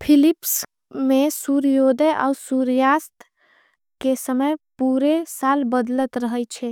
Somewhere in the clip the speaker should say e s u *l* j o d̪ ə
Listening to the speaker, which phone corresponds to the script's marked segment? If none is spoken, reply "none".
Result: ɾ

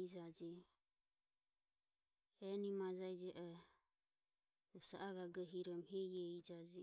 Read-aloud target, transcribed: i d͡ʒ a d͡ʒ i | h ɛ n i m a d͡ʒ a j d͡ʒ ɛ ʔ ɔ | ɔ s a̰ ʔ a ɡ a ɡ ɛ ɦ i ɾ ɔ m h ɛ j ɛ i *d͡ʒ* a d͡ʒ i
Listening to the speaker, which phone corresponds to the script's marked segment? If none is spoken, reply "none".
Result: d͡ʒ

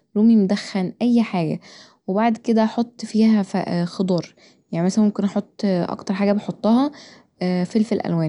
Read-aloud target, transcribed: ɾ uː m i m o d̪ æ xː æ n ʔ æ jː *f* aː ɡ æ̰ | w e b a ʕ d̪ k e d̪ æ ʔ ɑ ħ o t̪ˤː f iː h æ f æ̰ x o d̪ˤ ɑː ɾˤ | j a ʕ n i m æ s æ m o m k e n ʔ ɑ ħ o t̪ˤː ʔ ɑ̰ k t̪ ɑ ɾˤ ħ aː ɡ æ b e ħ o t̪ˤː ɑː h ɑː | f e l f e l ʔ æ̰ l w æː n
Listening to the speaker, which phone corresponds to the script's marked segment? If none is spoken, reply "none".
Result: ħ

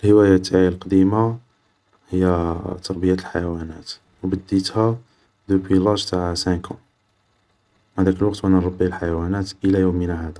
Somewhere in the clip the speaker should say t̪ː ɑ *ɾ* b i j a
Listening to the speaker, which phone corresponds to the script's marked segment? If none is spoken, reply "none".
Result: ɾ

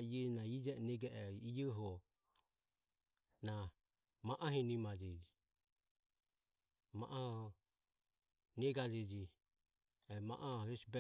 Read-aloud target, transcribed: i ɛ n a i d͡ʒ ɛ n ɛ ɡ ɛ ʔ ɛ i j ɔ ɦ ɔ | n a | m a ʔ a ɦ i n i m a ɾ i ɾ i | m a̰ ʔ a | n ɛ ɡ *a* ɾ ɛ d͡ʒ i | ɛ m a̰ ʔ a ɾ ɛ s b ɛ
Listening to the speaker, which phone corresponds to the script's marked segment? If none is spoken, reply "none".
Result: a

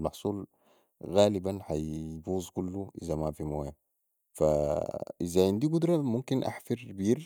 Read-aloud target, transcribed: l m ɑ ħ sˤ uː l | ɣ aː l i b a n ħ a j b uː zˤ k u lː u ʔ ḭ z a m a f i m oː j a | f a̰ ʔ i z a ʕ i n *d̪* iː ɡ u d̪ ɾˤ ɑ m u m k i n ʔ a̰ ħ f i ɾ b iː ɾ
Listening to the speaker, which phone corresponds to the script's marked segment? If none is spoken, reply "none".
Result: d̪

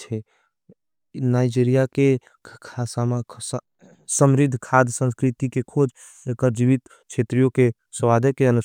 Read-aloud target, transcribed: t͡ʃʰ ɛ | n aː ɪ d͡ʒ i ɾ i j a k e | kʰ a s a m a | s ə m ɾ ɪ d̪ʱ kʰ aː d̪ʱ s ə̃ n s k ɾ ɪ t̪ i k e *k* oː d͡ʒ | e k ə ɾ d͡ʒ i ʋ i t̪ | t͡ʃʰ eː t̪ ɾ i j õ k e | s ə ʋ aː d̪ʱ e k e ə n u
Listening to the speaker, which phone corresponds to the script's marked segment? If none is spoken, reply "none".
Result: kʰ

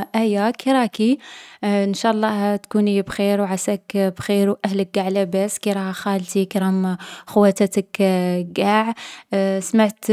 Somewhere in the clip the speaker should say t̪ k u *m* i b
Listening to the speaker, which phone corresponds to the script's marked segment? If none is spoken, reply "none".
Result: n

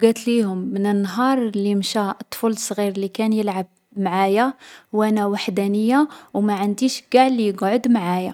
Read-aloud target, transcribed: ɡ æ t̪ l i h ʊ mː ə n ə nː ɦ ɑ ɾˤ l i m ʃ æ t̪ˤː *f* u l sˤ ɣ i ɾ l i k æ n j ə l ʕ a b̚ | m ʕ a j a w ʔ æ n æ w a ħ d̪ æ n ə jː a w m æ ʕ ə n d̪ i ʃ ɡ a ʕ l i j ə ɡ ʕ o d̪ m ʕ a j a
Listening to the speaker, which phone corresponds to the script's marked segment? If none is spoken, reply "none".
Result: f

